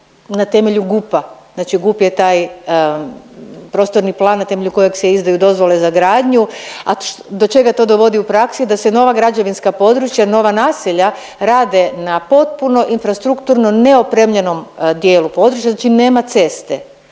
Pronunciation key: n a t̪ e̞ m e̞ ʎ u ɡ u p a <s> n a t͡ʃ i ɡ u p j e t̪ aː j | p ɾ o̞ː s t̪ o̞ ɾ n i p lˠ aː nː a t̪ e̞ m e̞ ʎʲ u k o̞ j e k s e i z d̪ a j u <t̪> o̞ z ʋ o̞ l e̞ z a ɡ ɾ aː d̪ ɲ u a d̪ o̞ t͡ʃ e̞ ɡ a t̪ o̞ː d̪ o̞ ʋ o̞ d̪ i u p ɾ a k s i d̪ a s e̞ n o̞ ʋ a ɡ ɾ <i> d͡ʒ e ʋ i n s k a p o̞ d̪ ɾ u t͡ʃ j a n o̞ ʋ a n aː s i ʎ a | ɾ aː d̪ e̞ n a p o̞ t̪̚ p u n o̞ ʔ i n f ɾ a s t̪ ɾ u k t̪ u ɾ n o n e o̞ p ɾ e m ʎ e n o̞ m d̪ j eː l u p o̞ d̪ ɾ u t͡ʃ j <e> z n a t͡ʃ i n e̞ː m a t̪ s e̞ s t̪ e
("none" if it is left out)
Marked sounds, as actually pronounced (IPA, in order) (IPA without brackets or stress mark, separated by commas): z, d̪, a, a